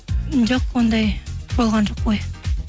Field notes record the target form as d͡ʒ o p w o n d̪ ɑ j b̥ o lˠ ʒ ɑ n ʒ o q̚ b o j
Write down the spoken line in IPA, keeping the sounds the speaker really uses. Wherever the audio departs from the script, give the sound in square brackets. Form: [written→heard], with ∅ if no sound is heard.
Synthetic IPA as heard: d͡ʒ o [p→q] w o n d̪ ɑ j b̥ o lˠ [ʒ→ʁ] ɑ n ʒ o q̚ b o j